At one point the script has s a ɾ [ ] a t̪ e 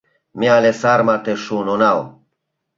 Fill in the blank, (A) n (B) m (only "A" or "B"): B